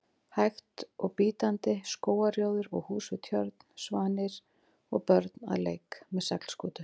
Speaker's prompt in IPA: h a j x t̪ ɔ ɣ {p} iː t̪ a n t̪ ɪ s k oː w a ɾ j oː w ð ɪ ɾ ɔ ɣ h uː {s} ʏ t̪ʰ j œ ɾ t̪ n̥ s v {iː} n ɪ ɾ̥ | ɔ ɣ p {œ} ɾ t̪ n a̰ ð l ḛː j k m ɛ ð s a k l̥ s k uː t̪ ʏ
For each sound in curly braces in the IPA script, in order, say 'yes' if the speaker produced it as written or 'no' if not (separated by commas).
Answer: yes, yes, no, yes